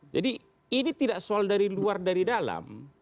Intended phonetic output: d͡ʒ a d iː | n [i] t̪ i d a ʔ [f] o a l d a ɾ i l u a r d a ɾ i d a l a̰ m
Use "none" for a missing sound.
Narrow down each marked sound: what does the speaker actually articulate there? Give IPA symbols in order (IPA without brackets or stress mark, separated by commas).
i, s